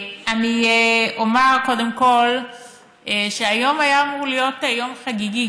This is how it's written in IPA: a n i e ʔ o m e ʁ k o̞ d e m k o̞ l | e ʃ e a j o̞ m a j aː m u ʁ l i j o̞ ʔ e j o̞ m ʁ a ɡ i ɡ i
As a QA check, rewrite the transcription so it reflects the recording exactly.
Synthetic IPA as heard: a n i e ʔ o m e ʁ k o̞ d e m k o̞ l | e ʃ e a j o̞ m a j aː m u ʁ l i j o̞ t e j o̞ m χ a ɡ i ɡ i